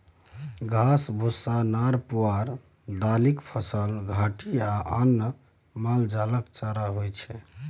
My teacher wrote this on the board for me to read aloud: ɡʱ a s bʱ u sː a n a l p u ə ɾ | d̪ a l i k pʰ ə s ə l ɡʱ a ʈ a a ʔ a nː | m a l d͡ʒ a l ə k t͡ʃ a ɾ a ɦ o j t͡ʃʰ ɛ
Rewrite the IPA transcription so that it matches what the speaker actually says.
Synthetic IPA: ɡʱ a s bʱ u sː a n a ɾ p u a ɾ | d̪ a l i k pʰ ə s ə l ɡʱ a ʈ i a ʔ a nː | m a l d͡ʒ a l ə k t͡ʃ a ɾ a ɦ o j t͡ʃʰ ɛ